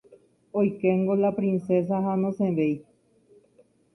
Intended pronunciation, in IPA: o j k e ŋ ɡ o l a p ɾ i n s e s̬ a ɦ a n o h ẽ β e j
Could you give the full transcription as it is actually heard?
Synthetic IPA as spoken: o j k e ŋ ɡ o l a p ɾ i n s e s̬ a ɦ a n o s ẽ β e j

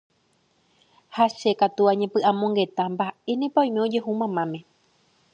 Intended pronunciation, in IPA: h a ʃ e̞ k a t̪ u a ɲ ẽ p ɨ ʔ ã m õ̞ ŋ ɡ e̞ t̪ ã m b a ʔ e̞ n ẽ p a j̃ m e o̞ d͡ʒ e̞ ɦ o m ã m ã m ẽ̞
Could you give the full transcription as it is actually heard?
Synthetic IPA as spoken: h a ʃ e̞ k a t̪ u a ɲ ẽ p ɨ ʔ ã m õ̞ ŋ ɡ e̞ t̪ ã m b a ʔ e̞ n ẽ p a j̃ m e o̞ d͡ʒ e̞ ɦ u m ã m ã m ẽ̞

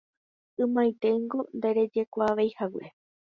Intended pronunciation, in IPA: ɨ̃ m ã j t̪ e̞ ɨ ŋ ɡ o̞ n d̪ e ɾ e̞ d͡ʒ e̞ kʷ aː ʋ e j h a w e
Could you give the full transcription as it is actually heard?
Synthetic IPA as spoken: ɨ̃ m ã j t̪ e̞ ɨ ŋ ɡ o̞ n d̪ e ɾ e̞ d͡ʒ e̞ kʷ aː ʋ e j h a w e

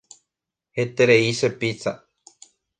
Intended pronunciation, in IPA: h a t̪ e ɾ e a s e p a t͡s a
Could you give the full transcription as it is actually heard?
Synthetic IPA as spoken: h e t̪ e ɾ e i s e p i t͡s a

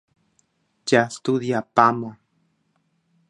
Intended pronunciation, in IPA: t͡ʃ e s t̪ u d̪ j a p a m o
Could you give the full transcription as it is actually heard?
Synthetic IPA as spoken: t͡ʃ a s t̪ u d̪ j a p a m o

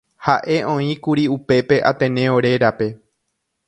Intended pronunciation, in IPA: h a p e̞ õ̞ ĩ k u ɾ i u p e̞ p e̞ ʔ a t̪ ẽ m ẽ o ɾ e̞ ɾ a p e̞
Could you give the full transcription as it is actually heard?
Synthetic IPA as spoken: h a ʔ e̞ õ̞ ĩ k u ɾ i u p e̞ p e̞ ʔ a t̪ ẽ n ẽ o ɾ e̞ ɾ a p e̞

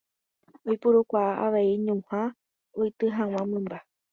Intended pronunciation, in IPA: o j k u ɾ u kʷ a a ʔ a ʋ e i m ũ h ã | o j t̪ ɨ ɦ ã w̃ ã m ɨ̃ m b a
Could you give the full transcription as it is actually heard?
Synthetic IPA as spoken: o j p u ɾ u kʷ a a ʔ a ʋ e i ɲ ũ h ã | o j t̪ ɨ ɦ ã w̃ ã m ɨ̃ m b a

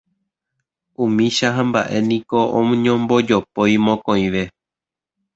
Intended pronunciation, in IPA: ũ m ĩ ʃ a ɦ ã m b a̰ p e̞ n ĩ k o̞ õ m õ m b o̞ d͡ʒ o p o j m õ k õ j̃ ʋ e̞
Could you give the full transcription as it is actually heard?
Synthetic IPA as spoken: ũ m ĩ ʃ a ɦ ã m b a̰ ʔ e̞ n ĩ k o̞ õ ɲ õ m b o̞ d͡ʒ o p o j m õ k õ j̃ ʋ e̞

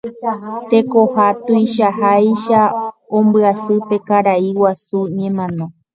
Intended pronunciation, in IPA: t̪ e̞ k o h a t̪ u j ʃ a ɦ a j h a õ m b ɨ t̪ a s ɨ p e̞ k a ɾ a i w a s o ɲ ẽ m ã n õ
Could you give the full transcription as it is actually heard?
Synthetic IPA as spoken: t̪ e̞ k o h a t̪ u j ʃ a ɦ a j ʃ a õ m b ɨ a s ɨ p e̞ k a ɾ a i w a s u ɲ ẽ m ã n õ

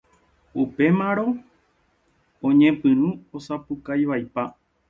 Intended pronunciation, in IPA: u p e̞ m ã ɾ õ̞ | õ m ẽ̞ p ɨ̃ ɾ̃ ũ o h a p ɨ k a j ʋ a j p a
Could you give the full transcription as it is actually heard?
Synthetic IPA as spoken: u p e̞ m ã ɾ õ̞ | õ ɲ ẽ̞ p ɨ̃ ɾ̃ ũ o s a p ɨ k a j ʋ a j p a

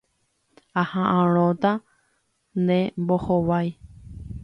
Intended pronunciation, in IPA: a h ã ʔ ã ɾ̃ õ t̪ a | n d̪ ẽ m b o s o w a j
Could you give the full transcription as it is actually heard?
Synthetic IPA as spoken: a h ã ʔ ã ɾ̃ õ t̪ a | n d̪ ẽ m b o h o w a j

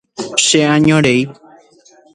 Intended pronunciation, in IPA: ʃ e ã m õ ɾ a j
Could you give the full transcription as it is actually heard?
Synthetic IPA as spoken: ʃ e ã ɲ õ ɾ e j

